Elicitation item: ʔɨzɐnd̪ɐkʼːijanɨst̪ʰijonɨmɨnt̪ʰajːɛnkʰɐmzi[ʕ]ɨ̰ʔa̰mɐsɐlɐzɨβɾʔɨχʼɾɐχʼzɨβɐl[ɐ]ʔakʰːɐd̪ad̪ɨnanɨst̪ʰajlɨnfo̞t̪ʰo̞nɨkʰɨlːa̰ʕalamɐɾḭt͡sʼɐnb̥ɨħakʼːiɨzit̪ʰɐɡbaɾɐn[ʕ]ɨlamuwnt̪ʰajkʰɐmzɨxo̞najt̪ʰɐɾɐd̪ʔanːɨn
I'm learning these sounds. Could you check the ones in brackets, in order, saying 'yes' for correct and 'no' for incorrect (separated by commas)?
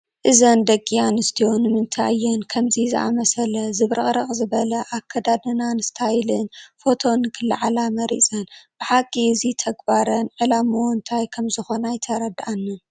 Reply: no, yes, yes